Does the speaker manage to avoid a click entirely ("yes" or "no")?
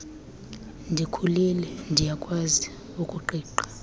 no